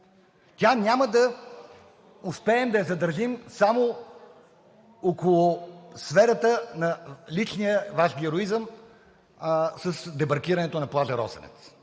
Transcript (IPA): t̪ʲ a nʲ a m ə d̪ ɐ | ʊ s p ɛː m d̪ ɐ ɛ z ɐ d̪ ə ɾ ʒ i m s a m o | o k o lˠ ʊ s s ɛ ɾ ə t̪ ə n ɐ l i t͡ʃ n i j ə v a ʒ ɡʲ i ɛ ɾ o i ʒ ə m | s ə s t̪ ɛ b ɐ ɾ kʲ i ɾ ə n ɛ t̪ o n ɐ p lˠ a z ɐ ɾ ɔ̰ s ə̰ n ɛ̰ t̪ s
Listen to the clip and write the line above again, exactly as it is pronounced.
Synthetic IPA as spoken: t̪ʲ a nʲ a m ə d̪ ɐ | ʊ s p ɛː m d̪ ɐ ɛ z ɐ d̪ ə ɾ ʒ i m s a m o | o k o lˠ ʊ s f ɛ ɾ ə t̪ ə n ɐ l i t͡ʃ n i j ə v a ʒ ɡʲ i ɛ ɾ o i z ə m | s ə s d̪ ɛ b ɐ ɾ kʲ i ɾ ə n ɛ t̪ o n ɐ p lˠ a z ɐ ɾ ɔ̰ s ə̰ n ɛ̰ t̪ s